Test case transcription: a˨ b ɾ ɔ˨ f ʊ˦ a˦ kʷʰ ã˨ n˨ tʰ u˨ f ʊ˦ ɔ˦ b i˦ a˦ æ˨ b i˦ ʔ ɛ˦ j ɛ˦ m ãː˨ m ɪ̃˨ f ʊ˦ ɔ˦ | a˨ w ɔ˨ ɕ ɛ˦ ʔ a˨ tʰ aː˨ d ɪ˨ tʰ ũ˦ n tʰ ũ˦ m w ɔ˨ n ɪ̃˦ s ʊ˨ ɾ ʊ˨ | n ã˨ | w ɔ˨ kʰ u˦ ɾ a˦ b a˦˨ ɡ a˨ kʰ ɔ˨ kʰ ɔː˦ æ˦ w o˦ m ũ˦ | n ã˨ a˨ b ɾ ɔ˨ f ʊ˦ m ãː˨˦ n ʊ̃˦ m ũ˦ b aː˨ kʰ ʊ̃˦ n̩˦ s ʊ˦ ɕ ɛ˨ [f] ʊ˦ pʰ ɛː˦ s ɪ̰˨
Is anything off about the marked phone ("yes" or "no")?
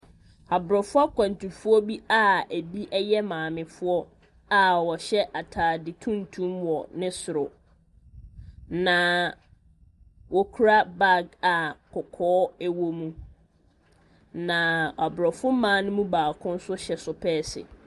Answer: yes